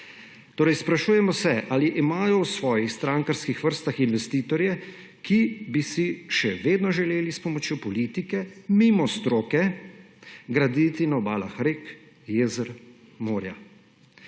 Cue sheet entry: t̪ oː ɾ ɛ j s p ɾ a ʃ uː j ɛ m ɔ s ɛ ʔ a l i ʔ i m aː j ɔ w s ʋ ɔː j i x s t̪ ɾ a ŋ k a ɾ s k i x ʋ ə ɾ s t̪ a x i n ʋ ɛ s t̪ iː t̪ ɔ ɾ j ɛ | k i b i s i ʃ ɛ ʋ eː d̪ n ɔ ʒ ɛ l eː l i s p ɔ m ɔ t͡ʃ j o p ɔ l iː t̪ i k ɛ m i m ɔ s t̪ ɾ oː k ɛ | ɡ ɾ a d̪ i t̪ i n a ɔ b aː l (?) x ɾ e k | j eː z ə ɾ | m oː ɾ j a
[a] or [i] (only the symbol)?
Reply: a